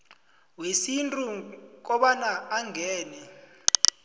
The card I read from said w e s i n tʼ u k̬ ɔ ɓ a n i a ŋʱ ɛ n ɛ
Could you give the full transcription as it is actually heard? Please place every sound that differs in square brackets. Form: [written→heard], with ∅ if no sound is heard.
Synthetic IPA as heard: w e s i n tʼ u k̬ ɔ ɓ a n [i→a] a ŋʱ [ɛ→ɛː] n ɛ